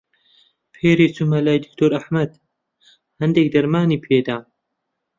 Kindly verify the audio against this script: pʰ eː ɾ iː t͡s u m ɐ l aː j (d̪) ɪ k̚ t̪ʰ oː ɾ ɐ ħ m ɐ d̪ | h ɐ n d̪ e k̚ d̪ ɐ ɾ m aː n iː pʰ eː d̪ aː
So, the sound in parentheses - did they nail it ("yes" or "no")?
yes